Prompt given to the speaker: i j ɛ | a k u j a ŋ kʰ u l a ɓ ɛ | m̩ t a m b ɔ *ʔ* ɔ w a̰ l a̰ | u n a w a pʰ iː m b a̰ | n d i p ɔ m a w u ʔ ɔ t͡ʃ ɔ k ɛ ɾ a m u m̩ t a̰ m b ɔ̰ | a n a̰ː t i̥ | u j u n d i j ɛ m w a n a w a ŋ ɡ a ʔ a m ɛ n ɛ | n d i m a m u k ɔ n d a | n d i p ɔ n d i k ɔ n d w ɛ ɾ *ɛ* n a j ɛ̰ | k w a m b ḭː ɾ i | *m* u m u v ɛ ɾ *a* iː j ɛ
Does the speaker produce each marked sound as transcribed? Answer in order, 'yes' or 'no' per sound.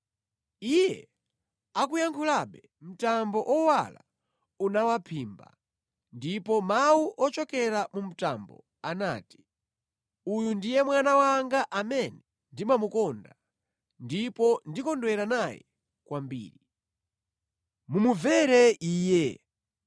yes, no, yes, no

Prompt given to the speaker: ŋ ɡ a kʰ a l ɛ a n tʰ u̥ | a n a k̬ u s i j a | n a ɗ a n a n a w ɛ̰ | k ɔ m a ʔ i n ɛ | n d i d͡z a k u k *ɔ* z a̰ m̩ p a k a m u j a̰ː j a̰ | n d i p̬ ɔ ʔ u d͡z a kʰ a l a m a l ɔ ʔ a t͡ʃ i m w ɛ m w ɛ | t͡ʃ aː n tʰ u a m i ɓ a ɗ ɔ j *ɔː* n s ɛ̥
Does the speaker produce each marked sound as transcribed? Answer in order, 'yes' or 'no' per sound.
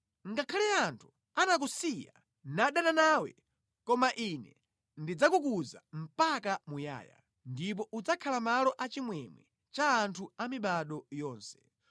no, yes

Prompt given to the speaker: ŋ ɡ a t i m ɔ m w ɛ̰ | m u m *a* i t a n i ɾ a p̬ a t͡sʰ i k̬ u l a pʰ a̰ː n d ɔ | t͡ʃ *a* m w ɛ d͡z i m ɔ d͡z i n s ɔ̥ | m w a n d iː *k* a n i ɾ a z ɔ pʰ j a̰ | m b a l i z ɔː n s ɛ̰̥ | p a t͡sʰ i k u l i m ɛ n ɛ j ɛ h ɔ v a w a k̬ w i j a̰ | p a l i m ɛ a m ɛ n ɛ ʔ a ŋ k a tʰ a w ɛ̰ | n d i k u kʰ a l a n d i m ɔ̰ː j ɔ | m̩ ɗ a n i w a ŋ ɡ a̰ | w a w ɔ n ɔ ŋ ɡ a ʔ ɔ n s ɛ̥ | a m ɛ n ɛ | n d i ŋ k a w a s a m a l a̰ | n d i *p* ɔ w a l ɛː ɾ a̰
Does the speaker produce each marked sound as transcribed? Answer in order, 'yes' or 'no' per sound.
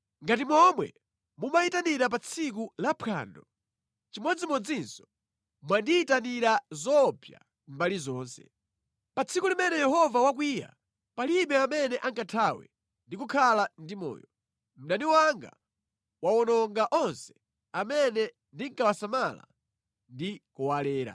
yes, no, no, no

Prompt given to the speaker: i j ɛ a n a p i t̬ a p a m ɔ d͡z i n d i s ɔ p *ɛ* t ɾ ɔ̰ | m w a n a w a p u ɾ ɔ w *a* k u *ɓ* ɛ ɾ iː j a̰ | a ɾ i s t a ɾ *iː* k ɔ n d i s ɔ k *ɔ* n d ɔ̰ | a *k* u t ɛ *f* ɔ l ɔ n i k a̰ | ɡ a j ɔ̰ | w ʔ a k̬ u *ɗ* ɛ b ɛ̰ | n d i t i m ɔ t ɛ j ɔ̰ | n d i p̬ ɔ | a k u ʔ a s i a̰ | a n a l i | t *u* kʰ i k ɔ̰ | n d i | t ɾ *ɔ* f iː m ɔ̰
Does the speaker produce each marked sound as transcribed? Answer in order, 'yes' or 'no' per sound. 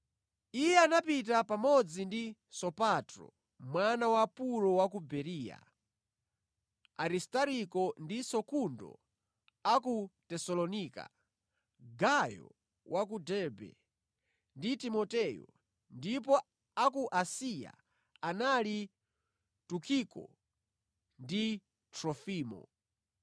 no, yes, no, no, no, yes, no, no, yes, yes

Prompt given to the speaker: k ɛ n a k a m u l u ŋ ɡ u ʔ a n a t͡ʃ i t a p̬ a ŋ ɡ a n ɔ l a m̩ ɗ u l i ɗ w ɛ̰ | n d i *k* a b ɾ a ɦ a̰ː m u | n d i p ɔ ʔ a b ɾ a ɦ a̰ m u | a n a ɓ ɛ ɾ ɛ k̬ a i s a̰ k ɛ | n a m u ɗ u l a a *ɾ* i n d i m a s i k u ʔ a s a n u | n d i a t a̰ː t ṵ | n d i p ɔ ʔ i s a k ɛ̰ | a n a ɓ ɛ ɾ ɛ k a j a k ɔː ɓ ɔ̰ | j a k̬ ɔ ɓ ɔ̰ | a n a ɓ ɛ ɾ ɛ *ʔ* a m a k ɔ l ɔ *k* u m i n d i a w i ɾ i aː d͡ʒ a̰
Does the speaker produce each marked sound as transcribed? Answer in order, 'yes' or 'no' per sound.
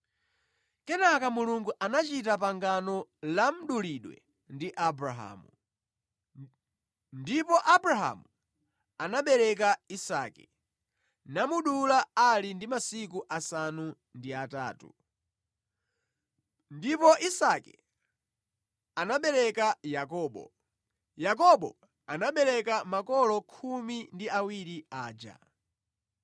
no, no, no, no

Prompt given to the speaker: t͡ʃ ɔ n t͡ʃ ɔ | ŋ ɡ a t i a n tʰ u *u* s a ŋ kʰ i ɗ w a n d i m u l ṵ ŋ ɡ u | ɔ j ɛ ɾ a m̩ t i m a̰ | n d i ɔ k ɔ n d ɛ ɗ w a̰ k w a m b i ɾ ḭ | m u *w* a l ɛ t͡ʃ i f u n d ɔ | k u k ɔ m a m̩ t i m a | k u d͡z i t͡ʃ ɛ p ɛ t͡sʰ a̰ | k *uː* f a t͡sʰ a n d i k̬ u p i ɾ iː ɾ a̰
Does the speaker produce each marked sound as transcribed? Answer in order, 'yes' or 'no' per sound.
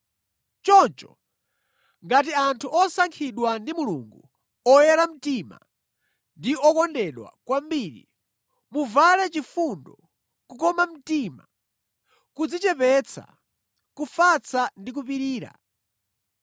no, no, no

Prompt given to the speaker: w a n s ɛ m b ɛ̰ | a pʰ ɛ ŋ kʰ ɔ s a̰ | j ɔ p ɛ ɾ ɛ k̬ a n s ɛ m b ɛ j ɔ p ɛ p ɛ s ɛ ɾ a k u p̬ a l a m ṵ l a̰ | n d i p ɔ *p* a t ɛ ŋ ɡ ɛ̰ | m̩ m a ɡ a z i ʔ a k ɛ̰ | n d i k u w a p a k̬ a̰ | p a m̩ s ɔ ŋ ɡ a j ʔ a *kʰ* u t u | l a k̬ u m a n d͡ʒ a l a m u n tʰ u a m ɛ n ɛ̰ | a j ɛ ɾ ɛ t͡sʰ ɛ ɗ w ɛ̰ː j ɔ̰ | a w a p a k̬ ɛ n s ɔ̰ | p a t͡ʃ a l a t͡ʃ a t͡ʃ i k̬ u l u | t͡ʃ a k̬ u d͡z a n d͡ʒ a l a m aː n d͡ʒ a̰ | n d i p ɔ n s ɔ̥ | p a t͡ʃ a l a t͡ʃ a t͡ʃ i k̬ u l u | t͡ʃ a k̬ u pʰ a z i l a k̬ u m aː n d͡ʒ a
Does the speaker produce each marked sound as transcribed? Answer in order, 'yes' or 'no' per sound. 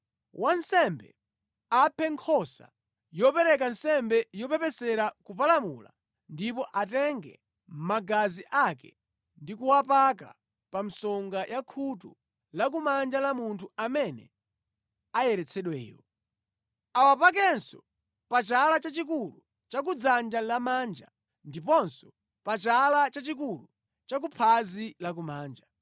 no, yes

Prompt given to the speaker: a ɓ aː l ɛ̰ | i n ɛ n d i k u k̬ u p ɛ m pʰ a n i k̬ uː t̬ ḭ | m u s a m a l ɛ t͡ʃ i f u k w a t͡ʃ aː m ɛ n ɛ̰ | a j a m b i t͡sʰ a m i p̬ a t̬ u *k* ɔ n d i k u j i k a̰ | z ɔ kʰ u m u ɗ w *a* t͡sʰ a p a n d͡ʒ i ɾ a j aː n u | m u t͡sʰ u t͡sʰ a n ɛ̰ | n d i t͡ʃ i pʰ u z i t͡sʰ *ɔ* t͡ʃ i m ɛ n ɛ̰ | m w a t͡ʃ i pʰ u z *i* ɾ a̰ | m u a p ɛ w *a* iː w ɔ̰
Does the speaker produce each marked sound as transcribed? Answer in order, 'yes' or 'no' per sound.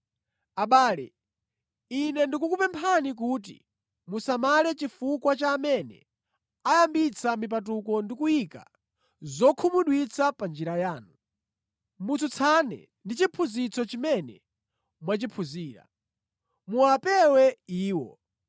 yes, no, yes, no, no

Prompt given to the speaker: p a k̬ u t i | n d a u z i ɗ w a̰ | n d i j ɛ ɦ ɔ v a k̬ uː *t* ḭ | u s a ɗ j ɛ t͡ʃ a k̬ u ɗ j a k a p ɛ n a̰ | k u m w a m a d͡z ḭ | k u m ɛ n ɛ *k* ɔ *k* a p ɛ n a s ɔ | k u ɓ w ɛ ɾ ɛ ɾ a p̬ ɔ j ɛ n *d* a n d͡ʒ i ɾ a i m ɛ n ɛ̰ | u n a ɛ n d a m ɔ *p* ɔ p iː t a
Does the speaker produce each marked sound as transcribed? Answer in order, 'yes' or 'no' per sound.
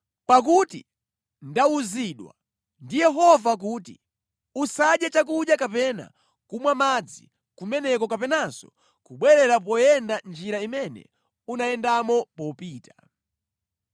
yes, yes, yes, yes, yes

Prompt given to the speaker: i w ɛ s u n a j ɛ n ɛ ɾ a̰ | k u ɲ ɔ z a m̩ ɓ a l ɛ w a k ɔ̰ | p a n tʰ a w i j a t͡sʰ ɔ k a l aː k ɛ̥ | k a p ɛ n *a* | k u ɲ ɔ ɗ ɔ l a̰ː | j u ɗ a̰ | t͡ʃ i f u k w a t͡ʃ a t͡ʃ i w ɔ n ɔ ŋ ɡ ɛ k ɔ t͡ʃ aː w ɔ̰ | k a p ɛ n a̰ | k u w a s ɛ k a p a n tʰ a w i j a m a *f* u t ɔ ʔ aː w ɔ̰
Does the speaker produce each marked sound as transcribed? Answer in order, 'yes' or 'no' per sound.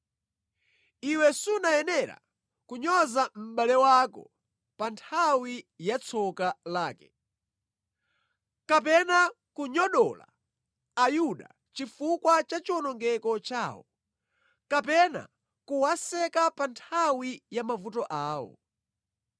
yes, no

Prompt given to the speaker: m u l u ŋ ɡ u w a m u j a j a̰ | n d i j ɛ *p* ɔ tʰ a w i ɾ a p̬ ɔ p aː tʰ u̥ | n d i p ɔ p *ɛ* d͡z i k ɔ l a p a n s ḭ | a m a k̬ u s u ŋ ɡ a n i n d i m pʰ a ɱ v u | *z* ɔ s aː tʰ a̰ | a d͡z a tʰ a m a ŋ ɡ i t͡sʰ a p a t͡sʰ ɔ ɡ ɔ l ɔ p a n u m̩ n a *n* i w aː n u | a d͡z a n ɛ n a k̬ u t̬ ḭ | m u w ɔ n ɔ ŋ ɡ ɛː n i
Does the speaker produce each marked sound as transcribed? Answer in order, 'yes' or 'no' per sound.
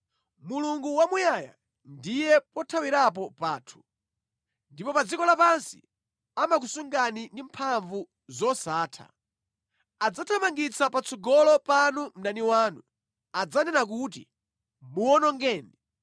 yes, no, yes, yes

